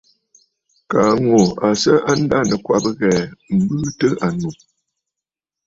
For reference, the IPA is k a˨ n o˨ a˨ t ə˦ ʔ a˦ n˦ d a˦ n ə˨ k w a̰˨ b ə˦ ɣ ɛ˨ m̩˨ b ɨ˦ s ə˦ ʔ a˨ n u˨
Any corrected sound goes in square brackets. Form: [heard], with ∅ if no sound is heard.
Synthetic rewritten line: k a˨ [ŋ] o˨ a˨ [s] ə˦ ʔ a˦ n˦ d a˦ n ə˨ k w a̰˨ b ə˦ ɣ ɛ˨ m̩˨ b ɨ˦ [t] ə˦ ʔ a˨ n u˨